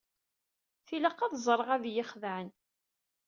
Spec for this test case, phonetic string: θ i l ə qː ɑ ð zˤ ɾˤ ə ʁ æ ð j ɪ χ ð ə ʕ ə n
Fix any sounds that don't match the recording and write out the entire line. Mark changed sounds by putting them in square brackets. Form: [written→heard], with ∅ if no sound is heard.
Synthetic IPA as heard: θ i l ə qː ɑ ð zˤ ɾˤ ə ʁ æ ð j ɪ χ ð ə ʕ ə n